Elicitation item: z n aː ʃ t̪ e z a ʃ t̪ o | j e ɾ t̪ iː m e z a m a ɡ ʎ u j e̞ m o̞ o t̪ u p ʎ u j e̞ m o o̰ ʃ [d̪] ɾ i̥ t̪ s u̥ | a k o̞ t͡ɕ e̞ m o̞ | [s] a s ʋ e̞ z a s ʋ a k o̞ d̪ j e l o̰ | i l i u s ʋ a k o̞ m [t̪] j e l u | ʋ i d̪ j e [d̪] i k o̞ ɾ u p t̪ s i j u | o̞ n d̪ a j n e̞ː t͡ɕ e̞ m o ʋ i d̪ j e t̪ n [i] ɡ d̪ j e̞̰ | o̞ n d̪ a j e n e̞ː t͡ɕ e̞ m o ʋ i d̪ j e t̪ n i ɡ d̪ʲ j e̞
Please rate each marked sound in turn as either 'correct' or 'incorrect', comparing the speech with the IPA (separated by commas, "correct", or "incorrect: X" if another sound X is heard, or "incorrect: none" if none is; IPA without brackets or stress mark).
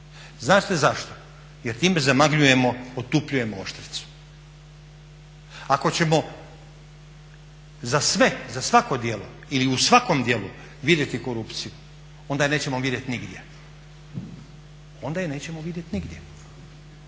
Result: incorrect: t̪, incorrect: z, incorrect: d̪, incorrect: t̪, correct